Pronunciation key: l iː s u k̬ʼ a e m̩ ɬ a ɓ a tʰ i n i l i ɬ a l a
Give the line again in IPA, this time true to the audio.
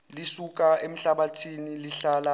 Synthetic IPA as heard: l i s u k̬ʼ a e m̩ ɬ a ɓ a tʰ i n i l i ɬ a l a